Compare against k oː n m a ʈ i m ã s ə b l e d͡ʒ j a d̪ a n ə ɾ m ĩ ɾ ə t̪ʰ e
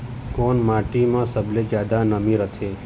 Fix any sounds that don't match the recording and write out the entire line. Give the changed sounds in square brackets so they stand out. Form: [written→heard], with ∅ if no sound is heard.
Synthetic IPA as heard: k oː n m a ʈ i m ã s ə b l e d͡ʒ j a d̪ a n ə [ɾ→∅] m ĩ ɾ ə t̪ʰ e